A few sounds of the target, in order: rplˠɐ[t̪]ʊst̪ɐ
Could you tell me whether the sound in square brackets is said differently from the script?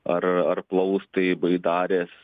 yes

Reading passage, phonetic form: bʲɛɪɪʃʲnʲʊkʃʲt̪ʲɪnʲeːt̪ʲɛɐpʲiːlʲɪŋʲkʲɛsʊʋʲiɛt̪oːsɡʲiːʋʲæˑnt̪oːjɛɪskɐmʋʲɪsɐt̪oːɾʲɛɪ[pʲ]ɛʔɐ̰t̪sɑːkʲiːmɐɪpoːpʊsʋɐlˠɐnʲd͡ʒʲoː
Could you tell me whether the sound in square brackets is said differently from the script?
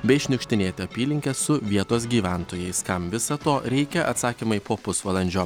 yes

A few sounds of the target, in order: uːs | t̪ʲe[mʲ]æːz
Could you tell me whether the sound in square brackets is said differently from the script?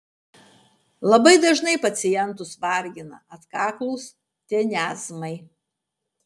yes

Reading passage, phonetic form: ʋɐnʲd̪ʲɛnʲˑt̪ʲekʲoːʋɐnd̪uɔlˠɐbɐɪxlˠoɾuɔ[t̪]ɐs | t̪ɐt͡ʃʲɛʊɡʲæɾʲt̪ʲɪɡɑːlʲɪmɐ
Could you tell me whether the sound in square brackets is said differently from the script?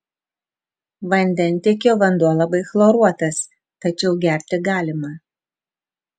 no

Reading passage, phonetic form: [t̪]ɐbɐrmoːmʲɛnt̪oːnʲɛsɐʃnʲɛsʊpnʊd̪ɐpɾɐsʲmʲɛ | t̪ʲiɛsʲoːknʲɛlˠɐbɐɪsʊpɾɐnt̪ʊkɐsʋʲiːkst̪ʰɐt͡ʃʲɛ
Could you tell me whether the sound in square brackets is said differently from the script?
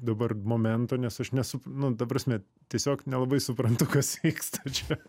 yes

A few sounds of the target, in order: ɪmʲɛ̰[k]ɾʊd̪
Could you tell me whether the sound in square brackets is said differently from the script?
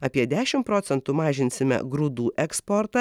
yes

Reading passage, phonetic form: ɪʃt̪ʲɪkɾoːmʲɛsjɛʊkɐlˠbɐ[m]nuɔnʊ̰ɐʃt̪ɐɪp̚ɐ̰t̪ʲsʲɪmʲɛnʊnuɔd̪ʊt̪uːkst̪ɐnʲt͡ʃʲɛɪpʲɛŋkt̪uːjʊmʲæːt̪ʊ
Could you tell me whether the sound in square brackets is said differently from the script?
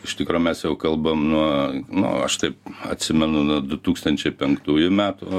no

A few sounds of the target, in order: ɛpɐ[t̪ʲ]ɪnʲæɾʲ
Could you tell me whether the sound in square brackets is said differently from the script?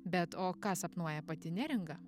no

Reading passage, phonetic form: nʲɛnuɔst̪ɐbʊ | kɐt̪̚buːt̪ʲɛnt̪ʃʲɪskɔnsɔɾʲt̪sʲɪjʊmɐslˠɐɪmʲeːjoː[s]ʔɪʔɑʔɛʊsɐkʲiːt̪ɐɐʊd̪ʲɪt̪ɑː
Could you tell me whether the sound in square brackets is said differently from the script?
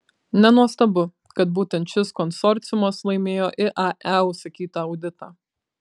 yes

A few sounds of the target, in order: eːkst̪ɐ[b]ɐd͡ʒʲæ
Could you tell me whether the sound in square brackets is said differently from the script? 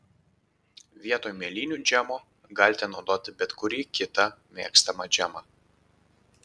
yes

